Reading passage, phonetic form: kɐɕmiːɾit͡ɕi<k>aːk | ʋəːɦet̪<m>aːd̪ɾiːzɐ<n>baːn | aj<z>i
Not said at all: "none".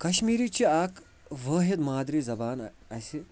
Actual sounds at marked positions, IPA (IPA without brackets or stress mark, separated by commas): none, m, none, s